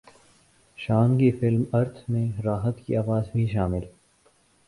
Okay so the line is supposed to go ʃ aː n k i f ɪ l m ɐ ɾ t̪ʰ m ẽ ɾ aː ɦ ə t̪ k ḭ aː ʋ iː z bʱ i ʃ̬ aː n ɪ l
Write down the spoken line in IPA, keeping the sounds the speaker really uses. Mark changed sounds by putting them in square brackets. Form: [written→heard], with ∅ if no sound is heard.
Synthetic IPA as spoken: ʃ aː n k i f ɪ l m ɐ ɾ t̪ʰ m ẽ ɾ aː ɦ ə t̪ k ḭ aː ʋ [iː→aː] z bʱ i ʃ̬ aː [n→m] ɪ l

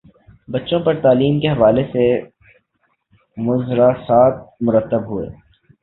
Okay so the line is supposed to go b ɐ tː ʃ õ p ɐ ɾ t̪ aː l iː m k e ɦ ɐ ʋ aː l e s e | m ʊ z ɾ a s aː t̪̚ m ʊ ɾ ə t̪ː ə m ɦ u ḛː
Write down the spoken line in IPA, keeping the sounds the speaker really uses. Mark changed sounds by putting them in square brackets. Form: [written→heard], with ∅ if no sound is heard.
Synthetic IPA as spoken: b ɐ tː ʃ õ p ɐ ɾ t̪ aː l iː m k e ɦ ɐ ʋ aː l e s e | m ʊ z ɾ a s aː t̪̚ m ʊ ɾ ə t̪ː ə [m→b] ɦ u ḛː

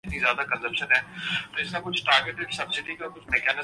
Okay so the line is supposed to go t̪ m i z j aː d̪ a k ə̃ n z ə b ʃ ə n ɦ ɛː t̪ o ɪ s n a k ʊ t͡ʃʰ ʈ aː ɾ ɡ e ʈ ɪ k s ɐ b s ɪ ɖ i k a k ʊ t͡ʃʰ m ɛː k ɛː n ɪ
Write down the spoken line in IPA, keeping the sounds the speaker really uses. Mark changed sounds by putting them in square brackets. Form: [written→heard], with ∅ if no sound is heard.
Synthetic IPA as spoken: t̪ [m→n] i z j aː d̪ a k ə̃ n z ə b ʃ ə n ɦ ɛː t̪ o ɪ s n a k ʊ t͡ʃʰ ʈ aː ɾ ɡ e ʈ ɪ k s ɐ b s ɪ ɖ i k a k ʊ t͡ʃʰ m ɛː k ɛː n ɪ

